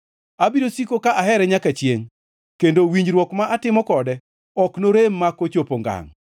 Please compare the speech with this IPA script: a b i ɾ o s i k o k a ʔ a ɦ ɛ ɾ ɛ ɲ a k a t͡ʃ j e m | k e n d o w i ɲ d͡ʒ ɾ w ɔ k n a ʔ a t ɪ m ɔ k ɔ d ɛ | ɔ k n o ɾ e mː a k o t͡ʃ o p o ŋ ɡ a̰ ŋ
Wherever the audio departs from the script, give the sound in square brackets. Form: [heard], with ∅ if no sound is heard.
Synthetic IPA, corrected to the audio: a b i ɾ o s i k o k a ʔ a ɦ ɛ ɾ ɛ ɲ a k a t͡ʃ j e [ŋ] | k e n d o w i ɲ d͡ʒ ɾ w ɔ k [m] a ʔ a t ɪ m ɔ k ɔ d ɛ | ɔ k n o ɾ e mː a k o t͡ʃ o p o ŋ ɡ a̰ ŋ